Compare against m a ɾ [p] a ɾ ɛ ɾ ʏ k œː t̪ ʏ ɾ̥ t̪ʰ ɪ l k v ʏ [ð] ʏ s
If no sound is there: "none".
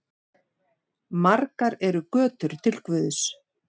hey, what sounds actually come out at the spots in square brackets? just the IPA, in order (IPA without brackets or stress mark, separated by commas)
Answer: k, ð